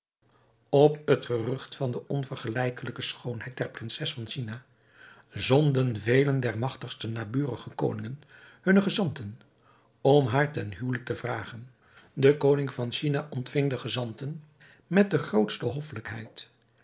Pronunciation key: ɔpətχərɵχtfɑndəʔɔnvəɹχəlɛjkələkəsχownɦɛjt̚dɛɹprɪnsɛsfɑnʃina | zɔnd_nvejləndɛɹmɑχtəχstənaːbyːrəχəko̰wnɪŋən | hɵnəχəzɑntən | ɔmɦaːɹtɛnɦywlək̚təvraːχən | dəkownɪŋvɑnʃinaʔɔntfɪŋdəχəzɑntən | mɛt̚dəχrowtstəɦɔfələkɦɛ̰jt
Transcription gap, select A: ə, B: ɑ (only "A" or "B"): A